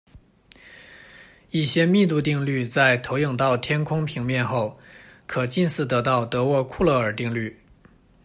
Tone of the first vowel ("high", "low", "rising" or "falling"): falling